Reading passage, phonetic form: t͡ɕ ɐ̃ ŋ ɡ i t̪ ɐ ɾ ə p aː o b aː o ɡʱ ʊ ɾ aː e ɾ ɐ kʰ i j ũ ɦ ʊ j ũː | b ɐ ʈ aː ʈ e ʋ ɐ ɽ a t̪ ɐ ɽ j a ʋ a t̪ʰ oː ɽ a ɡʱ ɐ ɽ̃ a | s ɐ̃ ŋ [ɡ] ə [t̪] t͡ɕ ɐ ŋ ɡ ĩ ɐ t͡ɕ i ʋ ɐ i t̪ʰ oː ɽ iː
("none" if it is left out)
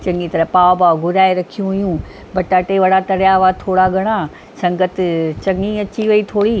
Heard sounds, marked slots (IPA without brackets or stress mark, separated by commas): ɡ, t̪